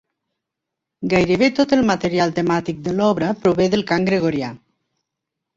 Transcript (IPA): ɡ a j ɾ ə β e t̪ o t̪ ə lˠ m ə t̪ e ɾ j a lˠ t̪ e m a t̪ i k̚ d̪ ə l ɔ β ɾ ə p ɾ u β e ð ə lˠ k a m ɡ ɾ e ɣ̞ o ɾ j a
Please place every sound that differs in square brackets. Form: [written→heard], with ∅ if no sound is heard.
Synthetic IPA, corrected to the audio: ɡ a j ɾ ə β e t̪ o t̪ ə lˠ m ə t̪ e ɾ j a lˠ t̪ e m a t̪ i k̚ d̪ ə l ɔ β ɾ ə p ɾ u β e ð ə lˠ k a [m→ŋ] ɡ ɾ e ɣ̞ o ɾ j a